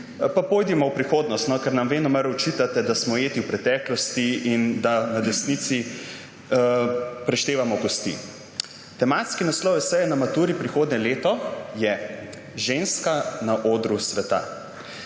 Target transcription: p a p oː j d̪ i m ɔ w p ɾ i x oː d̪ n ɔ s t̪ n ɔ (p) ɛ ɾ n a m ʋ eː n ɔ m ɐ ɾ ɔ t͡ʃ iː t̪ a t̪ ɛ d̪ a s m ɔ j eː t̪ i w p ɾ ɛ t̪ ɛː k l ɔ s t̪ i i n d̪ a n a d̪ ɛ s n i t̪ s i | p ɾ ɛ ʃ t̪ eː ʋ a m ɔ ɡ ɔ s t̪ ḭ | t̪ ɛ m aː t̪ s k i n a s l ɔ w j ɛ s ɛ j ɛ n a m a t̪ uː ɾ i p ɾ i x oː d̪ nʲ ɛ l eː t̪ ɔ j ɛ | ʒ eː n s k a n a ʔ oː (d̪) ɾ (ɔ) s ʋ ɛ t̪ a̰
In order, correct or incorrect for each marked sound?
incorrect: k, correct, incorrect: u

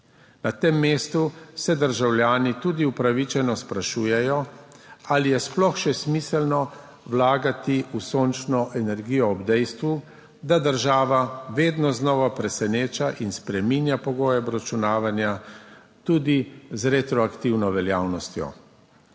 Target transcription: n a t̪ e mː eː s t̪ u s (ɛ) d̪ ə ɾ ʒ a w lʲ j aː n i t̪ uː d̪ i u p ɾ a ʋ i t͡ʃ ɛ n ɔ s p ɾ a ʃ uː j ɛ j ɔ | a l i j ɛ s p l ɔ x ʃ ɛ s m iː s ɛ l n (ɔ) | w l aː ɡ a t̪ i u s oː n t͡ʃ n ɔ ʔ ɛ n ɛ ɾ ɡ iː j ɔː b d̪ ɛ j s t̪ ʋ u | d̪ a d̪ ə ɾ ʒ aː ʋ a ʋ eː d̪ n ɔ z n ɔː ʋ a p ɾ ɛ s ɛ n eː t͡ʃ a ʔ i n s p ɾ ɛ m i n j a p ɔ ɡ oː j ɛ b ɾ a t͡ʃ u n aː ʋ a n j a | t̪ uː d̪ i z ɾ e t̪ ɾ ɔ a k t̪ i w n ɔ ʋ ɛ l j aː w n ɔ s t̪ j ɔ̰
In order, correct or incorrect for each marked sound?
correct, correct

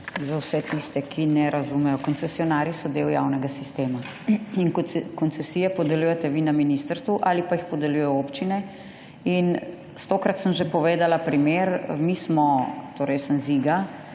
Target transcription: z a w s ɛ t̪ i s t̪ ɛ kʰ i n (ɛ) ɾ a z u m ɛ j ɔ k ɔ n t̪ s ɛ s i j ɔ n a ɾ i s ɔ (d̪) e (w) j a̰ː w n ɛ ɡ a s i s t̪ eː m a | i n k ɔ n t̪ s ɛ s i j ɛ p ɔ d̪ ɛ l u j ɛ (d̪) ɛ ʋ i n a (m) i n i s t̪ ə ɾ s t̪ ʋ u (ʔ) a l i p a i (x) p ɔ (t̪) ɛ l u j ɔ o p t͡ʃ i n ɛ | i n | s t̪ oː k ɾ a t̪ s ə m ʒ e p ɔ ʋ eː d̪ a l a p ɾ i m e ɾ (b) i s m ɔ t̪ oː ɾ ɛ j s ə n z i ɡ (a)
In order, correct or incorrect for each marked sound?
correct, correct, correct, incorrect: t̪, correct, correct, correct, incorrect: d̪, incorrect: m, correct

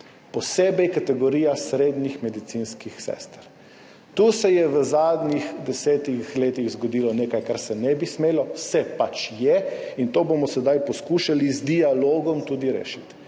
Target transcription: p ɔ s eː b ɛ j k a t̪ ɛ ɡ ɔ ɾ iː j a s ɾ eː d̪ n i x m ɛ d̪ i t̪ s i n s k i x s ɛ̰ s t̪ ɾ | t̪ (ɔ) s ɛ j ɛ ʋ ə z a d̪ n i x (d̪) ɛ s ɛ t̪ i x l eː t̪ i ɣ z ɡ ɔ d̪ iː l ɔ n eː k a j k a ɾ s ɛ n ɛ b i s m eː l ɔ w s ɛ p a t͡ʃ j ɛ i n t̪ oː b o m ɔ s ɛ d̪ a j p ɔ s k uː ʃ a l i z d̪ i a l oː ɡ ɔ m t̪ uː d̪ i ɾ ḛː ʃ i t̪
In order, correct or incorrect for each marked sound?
incorrect: u, correct

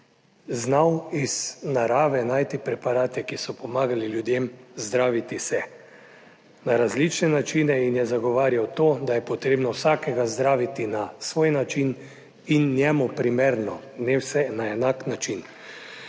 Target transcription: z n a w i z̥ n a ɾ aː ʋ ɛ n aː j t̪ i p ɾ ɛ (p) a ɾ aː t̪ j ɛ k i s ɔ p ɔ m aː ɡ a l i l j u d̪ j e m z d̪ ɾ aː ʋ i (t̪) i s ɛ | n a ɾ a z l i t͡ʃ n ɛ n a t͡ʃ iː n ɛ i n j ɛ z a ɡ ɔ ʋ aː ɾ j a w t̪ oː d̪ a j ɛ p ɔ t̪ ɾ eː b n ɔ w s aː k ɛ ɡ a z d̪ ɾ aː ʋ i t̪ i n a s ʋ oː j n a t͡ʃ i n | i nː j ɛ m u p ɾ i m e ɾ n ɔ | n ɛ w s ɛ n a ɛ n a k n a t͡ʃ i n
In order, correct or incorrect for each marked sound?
correct, correct

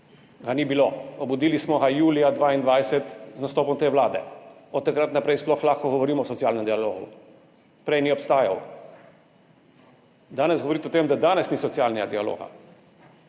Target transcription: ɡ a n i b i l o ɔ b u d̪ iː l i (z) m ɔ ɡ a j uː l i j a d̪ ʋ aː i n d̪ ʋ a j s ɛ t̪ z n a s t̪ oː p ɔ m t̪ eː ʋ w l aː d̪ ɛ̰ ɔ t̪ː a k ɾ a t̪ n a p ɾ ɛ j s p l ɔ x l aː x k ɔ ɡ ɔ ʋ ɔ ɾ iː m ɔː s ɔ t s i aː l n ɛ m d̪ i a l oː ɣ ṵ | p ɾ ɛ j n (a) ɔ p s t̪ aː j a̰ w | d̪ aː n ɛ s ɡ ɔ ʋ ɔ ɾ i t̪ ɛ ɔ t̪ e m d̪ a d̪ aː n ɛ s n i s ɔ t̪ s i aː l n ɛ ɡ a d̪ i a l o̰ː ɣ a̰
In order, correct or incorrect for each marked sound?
incorrect: s, incorrect: i

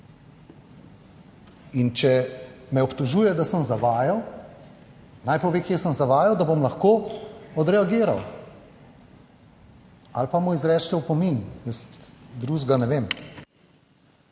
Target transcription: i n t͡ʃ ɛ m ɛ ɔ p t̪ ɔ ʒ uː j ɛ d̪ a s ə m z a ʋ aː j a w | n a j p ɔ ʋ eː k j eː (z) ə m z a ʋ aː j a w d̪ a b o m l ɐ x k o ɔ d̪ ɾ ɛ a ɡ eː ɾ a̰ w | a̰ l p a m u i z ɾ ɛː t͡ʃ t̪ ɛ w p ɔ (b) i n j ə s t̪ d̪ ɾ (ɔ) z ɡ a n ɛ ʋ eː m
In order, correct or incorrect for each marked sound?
incorrect: s, incorrect: m, incorrect: u

